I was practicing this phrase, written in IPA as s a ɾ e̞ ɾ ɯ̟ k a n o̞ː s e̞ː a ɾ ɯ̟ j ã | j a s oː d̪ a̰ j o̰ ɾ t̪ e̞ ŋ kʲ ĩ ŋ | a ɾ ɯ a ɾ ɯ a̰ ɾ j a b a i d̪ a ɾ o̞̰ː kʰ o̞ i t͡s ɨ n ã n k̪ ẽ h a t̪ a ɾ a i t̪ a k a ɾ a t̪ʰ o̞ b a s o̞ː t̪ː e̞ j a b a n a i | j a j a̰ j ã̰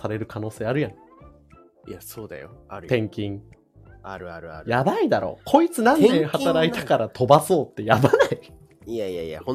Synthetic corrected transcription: s a ɾ e̞ ɾ ɯ̟ k a n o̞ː s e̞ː a ɾ ɯ̟ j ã | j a s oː d̪ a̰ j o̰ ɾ t̪ ẽ̞ ŋ kʲ ĩ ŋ | a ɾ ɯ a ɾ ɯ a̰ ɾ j a b a i d̪ a ɾ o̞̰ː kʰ o̞ i t͡s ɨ n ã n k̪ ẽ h a t̪ a ɾ a i t̪ a k a ɾ a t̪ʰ o̞ b a s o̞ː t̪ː e̞ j a b a n a i | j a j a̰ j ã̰